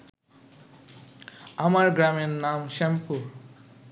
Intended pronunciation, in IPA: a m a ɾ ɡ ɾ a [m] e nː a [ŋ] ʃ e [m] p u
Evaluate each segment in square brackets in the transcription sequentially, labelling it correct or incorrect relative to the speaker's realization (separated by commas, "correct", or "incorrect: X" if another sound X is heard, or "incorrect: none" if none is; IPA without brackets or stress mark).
correct, incorrect: m, correct